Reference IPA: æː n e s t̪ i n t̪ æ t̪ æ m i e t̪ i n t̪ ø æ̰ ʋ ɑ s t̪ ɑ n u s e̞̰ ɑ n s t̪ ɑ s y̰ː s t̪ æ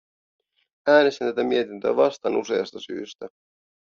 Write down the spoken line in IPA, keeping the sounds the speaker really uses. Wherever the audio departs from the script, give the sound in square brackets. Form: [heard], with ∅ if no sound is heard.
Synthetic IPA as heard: æː n e s t̪ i n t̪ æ t̪ æ m i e t̪ i n t̪ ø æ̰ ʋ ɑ s t̪ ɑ n u s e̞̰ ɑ [∅] s t̪ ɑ s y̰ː s t̪ æ

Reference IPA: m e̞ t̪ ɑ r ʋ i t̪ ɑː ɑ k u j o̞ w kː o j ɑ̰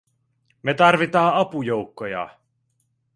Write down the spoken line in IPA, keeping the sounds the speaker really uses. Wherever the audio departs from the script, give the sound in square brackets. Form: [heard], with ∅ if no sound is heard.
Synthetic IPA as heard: m e̞ t̪ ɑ r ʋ i t̪ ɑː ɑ [p] u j o̞ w kː o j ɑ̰

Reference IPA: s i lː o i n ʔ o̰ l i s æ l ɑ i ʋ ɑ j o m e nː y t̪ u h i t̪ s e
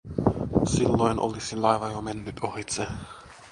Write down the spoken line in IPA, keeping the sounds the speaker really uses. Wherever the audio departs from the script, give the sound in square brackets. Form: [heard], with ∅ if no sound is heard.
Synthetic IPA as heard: s i lː o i n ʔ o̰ l i s [i] l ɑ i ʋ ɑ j o m e nː y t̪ [o] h i t̪ s e

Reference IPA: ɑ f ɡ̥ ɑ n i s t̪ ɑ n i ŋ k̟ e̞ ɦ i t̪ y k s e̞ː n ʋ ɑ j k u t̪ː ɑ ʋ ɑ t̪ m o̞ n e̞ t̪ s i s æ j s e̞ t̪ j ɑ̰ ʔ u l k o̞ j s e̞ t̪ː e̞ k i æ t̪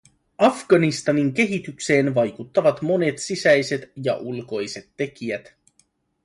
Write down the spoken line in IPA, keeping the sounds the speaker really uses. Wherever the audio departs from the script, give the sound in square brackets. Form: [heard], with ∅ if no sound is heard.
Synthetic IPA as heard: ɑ f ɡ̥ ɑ n i s t̪ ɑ n i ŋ k̟ e̞ ɦ i t̪ y k s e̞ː n ʋ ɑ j k u t̪ː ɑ ʋ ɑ t̪ m o̞ n e̞ t̪ s i s æ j s e̞ t̪ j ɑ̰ ʔ u l k o̞ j s e̞ t̪ː e̞ k i æ t̪

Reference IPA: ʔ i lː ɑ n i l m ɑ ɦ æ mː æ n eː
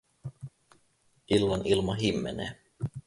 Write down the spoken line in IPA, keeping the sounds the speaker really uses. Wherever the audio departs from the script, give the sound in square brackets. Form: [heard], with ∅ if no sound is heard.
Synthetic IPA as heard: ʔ i lː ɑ n i l m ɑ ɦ [i] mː [e] n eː

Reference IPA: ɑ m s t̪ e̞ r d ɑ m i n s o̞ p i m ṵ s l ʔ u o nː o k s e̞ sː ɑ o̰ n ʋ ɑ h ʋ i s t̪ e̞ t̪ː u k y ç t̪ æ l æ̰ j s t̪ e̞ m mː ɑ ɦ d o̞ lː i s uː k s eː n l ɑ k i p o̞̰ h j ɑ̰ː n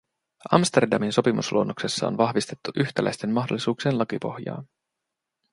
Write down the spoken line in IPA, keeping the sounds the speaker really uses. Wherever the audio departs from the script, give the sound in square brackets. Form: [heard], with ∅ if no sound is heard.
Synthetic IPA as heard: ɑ m s t̪ e̞ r d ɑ m i n s o̞ p i m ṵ s l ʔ u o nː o k s e̞ sː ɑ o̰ n ʋ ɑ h ʋ i s t̪ e̞ t̪ː u [ʔ] y ç t̪ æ l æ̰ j s t̪ e̞ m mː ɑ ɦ d o̞ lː i s uː k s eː n l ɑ k i p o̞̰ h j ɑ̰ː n

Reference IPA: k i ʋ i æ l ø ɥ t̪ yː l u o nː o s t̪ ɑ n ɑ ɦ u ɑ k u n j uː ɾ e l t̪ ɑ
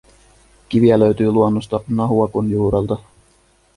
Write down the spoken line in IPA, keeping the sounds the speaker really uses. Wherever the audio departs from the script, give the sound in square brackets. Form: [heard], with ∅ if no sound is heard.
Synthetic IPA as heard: k i ʋ i æ l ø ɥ t̪ yː l u o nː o s t̪ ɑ n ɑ ɦ u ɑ k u n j uː ɾ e l t̪ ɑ

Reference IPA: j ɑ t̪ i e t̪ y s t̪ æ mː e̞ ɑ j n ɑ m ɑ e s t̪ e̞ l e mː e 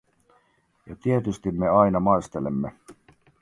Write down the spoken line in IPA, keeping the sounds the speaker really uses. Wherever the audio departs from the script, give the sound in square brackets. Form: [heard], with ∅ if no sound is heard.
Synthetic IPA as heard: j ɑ t̪ i e t̪ y s t̪ [i] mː e̞ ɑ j n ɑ m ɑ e s t̪ e̞ l e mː e

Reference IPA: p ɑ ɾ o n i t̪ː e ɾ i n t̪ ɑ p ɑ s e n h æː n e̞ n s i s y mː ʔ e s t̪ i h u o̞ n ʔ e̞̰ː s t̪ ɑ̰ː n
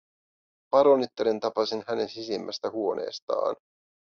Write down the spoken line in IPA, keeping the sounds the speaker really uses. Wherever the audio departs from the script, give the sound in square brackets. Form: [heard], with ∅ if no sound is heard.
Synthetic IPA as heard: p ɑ ɾ o n i t̪ː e ɾ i n t̪ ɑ p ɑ s [i] n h [æ] n e̞ n s i s [i] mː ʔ [æ] s t̪ [æ] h u o̞ n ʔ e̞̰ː s t̪ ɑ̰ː n

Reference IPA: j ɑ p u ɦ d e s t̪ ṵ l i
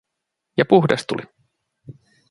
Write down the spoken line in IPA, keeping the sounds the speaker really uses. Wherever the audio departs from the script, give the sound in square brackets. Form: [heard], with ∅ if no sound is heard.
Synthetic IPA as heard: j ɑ p u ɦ d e s t̪ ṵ l i

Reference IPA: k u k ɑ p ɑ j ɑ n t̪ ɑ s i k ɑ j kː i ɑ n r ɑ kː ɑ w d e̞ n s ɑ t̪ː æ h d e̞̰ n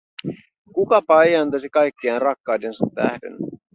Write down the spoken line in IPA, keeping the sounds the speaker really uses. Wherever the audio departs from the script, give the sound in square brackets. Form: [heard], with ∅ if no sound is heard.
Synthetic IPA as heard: k u k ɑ p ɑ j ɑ n t̪ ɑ s i k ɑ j kː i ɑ n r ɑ kː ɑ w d e̞ n s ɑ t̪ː æ h d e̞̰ n

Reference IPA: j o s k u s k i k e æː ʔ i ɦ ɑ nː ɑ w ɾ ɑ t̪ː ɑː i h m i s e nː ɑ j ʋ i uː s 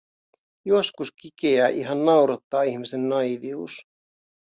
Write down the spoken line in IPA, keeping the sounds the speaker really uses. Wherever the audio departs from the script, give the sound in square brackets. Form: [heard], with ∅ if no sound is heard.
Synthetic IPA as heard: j o s k u s k i k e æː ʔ i ɦ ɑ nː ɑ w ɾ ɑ t̪ː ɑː i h m i s e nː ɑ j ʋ i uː s

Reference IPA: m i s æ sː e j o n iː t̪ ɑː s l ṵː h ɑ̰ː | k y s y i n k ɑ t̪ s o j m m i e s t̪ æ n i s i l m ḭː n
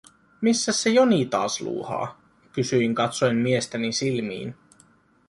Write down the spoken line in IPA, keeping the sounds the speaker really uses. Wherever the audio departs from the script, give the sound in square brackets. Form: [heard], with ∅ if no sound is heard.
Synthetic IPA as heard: m i [sː] æ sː e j o n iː t̪ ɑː s l ṵː h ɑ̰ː | k y s y i [ŋ] k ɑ t̪ s o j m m i e s t̪ æ n i s i l m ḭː n

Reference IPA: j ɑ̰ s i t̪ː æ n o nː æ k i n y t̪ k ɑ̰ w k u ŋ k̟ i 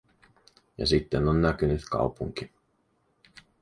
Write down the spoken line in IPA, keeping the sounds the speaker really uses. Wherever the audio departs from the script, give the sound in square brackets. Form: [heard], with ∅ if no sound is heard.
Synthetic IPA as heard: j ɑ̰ s i t̪ː [e] n o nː æ k [y] n y t̪ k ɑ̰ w [p] u ŋ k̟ i

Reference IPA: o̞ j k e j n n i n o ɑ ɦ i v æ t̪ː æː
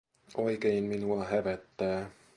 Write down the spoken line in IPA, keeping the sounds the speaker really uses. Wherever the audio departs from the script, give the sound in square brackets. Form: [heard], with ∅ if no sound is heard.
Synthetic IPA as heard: o̞ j k e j n [m] i n [u] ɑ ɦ [æ] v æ t̪ː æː

